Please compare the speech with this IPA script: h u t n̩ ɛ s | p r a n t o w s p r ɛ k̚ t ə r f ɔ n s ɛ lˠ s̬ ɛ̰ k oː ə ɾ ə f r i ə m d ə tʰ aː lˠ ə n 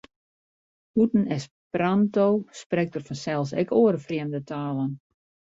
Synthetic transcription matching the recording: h u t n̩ ɛ s | p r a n t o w s p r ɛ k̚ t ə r f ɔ n s ɛ lˠ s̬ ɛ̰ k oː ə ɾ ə f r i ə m d ə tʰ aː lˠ ə n